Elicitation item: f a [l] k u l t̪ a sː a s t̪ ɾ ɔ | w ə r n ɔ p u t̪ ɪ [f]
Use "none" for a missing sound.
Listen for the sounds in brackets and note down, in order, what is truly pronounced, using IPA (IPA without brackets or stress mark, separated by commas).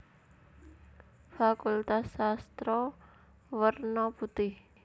none, h